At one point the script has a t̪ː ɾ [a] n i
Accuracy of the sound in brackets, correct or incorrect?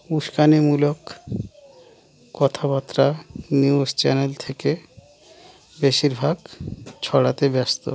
correct